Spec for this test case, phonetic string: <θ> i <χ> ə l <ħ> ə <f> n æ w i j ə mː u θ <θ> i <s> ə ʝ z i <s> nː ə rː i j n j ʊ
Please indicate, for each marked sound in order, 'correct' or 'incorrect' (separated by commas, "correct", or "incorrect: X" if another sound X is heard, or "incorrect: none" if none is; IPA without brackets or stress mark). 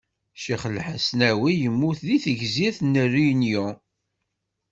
incorrect: ʃ, correct, correct, incorrect: s, incorrect: ð, incorrect: θ, incorrect: θ